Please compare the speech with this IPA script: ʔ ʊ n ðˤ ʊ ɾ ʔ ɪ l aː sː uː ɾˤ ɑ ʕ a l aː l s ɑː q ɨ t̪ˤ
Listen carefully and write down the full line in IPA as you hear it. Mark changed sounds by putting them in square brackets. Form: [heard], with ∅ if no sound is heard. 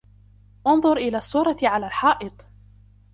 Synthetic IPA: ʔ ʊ n ðˤ ʊ ɾ ʔ ɪ l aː sː uː ɾˤ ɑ ʕ a l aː l [ħ] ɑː [ʔ] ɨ t̪ˤ